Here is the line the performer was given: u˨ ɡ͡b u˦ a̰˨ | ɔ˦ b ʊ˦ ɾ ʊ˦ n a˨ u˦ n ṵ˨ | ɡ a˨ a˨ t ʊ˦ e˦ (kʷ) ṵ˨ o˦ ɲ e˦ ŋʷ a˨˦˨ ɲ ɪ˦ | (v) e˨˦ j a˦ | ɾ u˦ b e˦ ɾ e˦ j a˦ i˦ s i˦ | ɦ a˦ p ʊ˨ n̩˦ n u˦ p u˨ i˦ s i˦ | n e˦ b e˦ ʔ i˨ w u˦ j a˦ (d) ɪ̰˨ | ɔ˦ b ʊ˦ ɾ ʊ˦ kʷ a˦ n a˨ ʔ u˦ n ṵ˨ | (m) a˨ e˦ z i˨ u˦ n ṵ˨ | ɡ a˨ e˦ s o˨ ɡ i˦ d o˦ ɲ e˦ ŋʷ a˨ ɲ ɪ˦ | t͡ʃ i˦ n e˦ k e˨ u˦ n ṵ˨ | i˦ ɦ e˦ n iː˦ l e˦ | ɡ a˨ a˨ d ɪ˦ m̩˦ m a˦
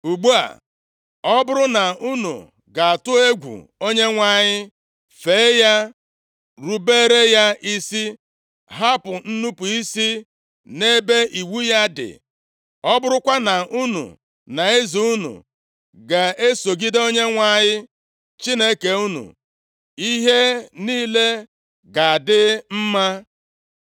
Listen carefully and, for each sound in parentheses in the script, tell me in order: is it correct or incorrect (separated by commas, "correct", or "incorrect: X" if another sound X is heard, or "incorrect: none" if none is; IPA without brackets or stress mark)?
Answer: incorrect: ɡʷ, incorrect: f, correct, incorrect: n